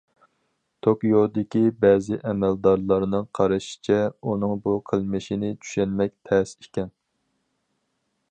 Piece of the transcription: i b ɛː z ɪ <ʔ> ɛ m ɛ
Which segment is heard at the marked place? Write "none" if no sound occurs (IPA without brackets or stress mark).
ʔ